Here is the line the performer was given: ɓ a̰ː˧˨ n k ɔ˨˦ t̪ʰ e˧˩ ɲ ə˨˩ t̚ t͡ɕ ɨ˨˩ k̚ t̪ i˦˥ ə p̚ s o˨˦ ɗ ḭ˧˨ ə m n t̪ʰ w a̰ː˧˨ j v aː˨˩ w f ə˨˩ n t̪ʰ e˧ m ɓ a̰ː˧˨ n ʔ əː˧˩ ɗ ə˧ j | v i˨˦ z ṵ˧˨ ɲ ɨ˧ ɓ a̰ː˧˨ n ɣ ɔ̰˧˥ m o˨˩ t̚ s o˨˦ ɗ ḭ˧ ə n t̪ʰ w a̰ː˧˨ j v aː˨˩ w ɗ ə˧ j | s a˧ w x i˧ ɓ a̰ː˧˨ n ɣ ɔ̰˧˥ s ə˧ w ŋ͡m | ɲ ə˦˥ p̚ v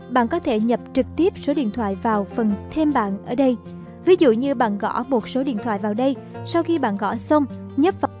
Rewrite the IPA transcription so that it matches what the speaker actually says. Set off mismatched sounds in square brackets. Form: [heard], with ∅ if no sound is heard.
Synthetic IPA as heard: ɓ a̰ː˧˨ n k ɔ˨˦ t̪ʰ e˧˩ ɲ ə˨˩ [p̚] t͡ɕ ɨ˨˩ k̚ t̪ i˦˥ ə p̚ s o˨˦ ɗ ḭ˧˨ ə [∅] n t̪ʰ w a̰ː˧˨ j v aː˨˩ w f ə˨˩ n t̪ʰ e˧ m ɓ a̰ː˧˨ n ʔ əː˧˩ ɗ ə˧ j | v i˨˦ z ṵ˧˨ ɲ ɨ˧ ɓ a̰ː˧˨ n ɣ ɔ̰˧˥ m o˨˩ t̚ s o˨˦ ɗ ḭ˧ ə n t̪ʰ w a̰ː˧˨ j v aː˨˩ w ɗ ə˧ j | s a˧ w x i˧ ɓ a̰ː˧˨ n ɣ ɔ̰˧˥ s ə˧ w ŋ͡m | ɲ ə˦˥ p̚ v